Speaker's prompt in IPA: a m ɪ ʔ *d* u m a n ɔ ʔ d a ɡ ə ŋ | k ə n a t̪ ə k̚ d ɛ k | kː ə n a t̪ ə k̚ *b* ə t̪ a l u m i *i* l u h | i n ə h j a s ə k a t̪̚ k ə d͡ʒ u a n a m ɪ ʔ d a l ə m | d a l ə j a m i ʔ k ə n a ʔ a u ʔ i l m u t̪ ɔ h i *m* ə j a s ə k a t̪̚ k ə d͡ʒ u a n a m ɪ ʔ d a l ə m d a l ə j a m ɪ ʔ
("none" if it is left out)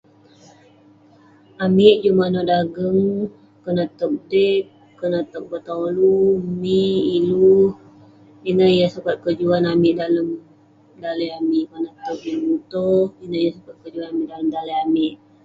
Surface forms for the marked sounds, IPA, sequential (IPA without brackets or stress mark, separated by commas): d͡ʒ, b, i, n